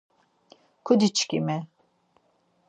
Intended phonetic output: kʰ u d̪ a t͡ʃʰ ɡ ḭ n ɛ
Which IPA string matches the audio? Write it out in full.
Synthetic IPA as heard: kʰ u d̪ i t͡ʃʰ k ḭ m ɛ